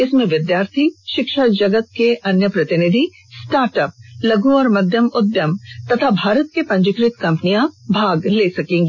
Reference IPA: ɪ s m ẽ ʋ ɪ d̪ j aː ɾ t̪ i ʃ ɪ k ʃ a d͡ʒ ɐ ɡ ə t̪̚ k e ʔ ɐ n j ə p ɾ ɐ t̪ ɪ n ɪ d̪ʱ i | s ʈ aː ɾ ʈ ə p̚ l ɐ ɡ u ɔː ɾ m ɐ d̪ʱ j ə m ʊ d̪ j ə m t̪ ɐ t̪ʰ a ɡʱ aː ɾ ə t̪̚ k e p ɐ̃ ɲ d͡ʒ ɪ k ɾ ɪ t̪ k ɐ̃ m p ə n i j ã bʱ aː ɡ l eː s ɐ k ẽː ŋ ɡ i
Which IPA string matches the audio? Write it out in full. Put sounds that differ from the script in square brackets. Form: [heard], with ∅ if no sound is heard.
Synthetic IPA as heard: ɪ s m ẽ ʋ ɪ d̪ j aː ɾ [t̪ʰ] i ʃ ɪ k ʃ a d͡ʒ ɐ ɡ ə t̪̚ k e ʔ ɐ n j ə p ɾ ɐ t̪ ɪ n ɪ d̪ʱ i | s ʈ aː ɾ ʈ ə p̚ l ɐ ɡ u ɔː ɾ m ɐ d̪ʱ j ə m ʊ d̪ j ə m t̪ ɐ t̪ʰ a [bʱ] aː ɾ ə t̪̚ k e p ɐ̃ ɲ d͡ʒ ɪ k ɾ ɪ t̪ k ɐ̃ m p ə n i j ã bʱ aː ɡ l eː s ɐ k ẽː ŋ ɡ i

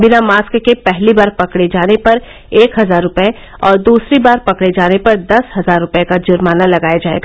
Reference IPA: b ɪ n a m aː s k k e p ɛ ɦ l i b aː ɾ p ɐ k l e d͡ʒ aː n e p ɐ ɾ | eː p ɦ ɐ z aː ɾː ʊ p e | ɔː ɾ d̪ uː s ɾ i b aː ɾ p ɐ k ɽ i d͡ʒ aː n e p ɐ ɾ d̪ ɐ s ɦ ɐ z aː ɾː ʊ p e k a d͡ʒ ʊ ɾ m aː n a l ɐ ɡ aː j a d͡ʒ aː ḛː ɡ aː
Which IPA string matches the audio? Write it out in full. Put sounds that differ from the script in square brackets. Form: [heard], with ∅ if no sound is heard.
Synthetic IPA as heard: b ɪ n a m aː s k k e p ɛ ɦ l i b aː ɾ p ɐ k [ɽ] e d͡ʒ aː n e p ɐ ɾ | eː [k] ɦ ɐ z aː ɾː ʊ p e | ɔː ɾ d̪ uː s ɾ i b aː ɾ p ɐ k ɽ [e] d͡ʒ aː n e p ɐ ɾ d̪ ɐ s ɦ ɐ z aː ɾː ʊ p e k a d͡ʒ ʊ ɾ m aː n a l ɐ ɡ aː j a d͡ʒ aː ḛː ɡ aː

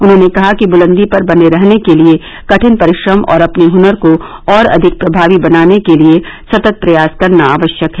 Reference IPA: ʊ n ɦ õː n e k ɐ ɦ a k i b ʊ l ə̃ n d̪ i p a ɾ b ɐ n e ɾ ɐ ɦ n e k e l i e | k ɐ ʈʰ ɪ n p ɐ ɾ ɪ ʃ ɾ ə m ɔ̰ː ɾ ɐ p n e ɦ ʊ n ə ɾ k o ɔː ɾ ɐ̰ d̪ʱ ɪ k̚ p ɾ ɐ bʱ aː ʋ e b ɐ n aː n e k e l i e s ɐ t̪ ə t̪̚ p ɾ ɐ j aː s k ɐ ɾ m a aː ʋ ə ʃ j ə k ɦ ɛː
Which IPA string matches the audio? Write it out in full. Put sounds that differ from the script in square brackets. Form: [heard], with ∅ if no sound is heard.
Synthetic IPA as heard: ʊ n ɦ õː n e k ɐ ɦ a k i b ʊ l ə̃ n d̪ i p [ɐ] ɾ b ɐ n e ɾ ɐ ɦ n e k e l i e | k ɐ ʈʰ ɪ n p ɐ ɾ ɪ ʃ ɾ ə m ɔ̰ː ɾ ɐ p n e ɦ ʊ n ə ɾ k o ɔː ɾ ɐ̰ d̪ʱ ɪ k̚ p ɾ ɐ bʱ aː ʋ [i] b ɐ n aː n e k e l i e s ɐ t̪ ə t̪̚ p ɾ ɐ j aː s k ɐ ɾ [n] a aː ʋ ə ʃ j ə k ɦ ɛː

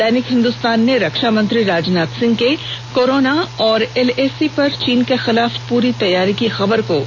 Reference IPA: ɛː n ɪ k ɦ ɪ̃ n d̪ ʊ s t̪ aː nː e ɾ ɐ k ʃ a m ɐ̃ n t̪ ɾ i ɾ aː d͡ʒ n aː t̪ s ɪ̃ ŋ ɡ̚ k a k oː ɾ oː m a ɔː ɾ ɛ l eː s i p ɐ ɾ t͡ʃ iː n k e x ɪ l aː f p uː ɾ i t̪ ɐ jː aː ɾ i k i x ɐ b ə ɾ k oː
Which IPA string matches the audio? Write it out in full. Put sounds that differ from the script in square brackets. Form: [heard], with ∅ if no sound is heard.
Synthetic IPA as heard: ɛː n ɪ k ɦ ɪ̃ n d̪ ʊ s t̪ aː nː e ɾ ɐ k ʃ a m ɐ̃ n t̪ ɾ i ɾ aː d͡ʒ n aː t̪ s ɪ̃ ŋ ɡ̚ k [e] k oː ɾ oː [n] a ɔː ɾ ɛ l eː s i p ɐ ɾ t͡ʃ iː n k e x ɪ l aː f p uː ɾ i t̪ ɐ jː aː ɾ i k i x ɐ b ə ɾ k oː

